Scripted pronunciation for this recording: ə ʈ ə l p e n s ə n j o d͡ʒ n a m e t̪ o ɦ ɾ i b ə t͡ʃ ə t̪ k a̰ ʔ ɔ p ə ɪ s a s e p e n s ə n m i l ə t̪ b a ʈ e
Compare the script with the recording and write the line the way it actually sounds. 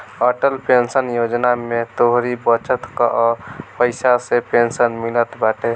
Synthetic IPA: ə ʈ ə l p e n s ə n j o d͡ʒ n a m e t̪ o ɦ ɾ i b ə t͡ʃ ə t̪ k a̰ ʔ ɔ p ə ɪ s a s e p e n s ə n m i l ə t̪ b a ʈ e